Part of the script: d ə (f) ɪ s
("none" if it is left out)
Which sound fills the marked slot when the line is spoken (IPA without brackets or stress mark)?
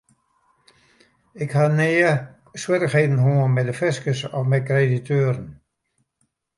f